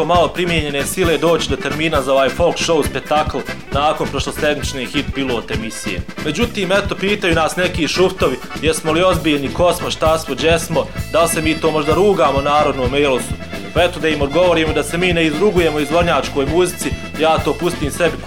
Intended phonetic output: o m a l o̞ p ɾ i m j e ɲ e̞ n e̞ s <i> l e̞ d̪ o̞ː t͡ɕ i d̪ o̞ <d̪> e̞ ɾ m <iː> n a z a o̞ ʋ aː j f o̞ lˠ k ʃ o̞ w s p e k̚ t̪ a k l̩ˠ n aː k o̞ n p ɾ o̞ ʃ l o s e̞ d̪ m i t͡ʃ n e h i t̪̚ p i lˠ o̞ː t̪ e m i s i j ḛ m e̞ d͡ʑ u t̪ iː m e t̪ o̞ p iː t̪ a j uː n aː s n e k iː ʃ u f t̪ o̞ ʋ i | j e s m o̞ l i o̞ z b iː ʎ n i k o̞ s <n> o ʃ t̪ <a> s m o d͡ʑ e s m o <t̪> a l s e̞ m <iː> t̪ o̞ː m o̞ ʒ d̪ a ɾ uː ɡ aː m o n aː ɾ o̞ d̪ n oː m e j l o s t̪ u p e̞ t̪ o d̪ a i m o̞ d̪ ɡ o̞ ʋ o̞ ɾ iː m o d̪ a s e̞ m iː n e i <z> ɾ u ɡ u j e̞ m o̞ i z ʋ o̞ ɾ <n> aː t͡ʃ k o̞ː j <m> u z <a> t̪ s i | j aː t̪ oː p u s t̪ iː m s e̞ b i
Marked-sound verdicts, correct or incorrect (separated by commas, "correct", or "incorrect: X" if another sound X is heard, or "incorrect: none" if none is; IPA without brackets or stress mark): correct, incorrect: t̪, correct, incorrect: m, correct, incorrect: d̪, correct, correct, incorrect: ɲ, correct, incorrect: i